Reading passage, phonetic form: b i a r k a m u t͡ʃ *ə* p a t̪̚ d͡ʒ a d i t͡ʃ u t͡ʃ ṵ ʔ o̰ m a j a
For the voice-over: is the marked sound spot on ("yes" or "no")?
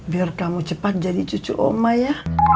yes